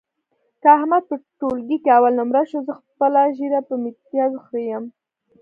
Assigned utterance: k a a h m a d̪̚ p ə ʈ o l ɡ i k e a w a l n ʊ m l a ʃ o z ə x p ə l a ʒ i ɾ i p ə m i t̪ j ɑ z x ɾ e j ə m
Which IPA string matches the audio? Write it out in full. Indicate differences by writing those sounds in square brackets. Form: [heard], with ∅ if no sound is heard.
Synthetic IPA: k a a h m a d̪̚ p ə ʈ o l ɡ i k e a w a l n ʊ m [ɾ] a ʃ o z ə x p ə l a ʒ i ɾ [a] p ə m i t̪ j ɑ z x ɾ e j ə m